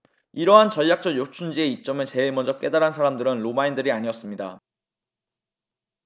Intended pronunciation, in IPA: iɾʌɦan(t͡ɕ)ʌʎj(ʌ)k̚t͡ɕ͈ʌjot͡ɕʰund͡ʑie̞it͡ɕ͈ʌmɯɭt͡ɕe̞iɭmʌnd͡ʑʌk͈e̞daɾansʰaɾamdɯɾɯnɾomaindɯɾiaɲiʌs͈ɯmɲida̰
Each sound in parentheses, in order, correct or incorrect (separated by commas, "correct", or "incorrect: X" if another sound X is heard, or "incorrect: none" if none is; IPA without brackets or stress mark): correct, incorrect: a